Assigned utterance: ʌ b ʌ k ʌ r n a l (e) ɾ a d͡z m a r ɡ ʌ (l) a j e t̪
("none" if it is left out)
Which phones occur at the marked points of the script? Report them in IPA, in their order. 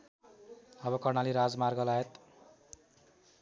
i, l

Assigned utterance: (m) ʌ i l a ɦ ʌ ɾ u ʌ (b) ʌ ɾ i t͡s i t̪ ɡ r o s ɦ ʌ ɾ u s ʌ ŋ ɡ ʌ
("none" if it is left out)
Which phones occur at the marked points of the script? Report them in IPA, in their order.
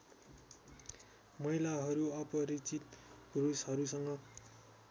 m, p

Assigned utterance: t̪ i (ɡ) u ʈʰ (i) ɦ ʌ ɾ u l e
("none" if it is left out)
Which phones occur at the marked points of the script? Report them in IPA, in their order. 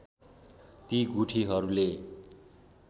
ɡ, i

